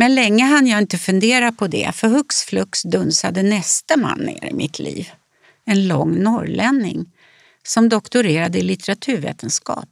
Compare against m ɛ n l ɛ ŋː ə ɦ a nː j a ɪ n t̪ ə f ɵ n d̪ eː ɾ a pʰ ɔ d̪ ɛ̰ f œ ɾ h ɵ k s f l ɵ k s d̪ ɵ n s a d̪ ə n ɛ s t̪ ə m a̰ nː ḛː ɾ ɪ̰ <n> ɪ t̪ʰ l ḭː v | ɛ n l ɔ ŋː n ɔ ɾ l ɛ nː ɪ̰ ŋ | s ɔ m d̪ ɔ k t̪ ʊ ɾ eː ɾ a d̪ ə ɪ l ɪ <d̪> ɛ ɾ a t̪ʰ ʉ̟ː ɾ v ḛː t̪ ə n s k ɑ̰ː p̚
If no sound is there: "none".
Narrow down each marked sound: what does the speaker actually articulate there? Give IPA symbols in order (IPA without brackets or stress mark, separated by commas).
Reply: m, t̪